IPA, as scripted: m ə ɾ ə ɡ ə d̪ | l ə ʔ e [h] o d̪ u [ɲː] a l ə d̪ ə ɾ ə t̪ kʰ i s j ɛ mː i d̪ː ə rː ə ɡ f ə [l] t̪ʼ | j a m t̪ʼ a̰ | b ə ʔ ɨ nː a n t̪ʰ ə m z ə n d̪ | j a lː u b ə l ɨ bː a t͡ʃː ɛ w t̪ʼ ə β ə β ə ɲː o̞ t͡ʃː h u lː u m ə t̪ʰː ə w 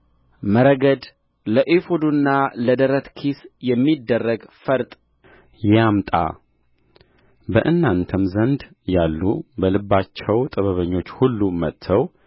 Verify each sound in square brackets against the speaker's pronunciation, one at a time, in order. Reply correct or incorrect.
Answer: incorrect, incorrect, incorrect

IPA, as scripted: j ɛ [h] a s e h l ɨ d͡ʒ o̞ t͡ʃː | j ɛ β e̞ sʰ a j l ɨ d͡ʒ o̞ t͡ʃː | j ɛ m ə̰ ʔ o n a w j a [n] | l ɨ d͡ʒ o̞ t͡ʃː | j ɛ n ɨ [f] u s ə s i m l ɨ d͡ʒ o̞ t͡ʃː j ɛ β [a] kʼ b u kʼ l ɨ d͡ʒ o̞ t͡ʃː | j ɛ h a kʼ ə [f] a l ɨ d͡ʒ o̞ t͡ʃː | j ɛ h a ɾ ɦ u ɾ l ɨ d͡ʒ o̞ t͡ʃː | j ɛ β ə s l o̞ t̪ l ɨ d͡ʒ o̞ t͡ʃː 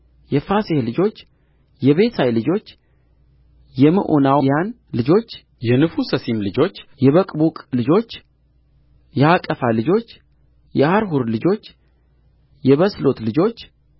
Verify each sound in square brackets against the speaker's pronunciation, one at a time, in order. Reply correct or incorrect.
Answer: incorrect, correct, correct, incorrect, correct

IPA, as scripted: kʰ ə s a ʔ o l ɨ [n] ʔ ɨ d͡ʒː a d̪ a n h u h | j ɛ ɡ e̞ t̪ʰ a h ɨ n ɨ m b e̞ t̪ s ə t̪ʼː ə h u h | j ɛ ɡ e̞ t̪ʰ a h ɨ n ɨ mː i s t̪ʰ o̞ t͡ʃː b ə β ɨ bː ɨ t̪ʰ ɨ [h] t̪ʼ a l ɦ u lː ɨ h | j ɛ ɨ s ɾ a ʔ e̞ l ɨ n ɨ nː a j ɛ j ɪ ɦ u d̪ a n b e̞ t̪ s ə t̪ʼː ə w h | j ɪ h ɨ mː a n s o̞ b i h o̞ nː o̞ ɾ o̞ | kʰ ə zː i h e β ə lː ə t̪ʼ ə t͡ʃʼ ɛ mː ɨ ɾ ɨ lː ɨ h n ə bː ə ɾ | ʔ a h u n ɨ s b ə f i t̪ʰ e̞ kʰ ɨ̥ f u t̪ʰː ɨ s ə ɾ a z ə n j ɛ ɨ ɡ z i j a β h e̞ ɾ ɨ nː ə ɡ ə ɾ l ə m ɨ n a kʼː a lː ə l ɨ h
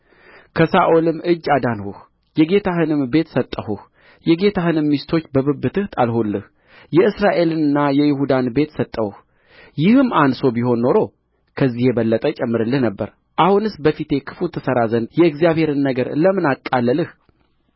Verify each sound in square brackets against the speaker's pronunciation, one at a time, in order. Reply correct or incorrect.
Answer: incorrect, correct

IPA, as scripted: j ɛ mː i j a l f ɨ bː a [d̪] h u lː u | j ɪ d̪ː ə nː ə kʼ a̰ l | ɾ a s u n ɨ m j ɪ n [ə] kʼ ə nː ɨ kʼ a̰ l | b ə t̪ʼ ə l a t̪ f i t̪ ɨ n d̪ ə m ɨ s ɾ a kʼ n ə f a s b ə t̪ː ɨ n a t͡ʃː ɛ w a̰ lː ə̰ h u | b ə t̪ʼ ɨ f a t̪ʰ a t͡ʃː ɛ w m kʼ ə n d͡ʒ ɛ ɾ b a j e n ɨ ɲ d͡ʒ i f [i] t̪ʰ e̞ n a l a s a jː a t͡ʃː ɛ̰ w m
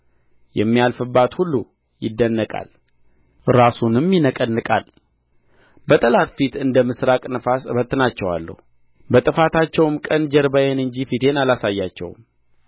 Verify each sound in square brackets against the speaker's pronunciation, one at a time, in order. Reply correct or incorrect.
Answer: incorrect, correct, correct

